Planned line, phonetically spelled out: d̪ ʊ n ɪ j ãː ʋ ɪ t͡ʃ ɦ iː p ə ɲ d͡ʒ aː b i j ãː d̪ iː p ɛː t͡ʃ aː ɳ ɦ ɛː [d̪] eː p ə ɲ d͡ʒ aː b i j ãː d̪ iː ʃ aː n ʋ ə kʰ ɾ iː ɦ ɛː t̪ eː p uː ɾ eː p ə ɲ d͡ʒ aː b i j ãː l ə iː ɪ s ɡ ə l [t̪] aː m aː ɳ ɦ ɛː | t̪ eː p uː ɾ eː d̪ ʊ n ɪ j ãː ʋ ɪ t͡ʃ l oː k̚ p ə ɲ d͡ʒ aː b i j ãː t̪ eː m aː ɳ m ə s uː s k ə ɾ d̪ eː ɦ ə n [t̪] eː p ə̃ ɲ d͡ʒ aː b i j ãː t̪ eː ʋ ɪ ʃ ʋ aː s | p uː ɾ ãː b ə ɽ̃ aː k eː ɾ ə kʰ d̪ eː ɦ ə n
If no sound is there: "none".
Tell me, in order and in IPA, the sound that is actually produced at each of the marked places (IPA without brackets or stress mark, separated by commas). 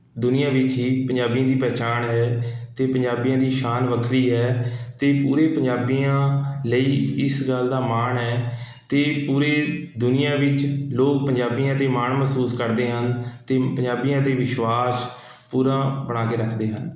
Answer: t̪, d̪, t̪